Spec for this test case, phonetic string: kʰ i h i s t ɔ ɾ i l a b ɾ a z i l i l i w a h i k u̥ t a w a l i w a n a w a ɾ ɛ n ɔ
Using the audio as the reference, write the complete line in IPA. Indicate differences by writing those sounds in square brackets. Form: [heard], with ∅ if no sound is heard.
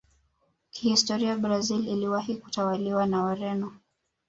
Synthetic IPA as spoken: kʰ i h i s t ɔ ɾ i [∅] a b ɾ a z i l i l i w a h i k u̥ t a w a l i w a n a w a ɾ ɛ n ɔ